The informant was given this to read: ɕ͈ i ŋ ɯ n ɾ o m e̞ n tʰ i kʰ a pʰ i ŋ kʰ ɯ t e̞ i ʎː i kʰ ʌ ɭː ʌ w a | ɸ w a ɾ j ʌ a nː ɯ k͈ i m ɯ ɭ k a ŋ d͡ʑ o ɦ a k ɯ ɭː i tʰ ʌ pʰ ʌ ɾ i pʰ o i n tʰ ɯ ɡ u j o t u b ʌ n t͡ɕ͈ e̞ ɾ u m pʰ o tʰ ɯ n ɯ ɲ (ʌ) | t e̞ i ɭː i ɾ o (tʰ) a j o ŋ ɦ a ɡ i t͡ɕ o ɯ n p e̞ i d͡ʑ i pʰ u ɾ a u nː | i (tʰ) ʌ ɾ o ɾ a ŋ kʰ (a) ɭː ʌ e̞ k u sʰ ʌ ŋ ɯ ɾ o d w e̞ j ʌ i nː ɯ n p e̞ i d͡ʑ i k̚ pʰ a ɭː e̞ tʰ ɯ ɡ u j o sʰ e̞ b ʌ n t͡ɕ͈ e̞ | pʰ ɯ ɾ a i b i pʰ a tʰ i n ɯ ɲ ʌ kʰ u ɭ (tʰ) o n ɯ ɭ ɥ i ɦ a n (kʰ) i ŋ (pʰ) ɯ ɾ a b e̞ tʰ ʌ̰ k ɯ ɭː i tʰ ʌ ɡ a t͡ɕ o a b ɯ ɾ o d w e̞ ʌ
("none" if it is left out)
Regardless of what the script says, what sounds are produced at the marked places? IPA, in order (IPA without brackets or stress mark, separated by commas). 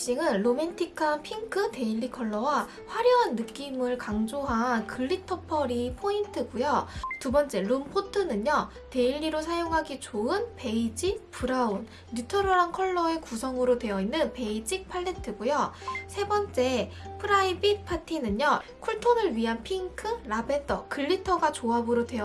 ʌ, sʰ, tʰ, ʌ, tʰ, pʰ, kʰ